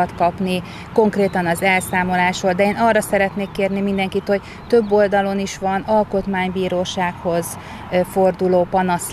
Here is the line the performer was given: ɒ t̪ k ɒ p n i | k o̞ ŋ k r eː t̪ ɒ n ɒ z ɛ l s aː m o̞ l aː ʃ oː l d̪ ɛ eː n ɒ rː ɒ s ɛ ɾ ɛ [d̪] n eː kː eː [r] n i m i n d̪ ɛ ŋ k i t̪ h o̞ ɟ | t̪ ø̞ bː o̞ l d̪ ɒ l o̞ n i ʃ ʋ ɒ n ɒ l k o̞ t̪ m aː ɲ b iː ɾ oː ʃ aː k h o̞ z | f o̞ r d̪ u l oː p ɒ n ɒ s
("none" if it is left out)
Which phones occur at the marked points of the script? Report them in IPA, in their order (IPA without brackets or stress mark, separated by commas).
t̪, r